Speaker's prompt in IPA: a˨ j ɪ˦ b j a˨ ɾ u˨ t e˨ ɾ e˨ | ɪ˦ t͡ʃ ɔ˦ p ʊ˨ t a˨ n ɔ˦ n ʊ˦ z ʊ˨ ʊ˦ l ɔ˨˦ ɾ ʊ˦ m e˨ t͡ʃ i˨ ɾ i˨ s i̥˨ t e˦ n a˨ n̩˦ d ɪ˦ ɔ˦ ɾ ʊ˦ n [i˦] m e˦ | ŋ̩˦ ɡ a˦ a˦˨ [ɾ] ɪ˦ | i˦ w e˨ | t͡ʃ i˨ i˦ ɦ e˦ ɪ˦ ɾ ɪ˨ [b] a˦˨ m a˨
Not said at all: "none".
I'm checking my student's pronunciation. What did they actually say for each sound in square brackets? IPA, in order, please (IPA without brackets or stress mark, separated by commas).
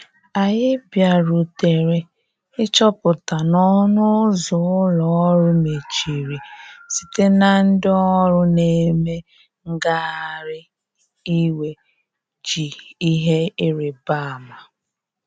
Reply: e˦, ɾ, b